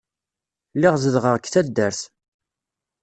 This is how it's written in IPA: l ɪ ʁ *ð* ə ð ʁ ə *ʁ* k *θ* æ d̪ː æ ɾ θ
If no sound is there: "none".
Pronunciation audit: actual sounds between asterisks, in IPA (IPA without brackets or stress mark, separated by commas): z, ʁ, θ